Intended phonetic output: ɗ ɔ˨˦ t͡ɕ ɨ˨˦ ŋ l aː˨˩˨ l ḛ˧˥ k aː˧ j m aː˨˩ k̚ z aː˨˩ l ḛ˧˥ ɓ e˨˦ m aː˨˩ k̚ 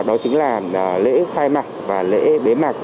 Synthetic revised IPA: ɗ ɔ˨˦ t͡ɕ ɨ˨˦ ŋ l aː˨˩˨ l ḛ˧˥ x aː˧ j m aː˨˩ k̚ v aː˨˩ l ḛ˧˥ ɓ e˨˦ m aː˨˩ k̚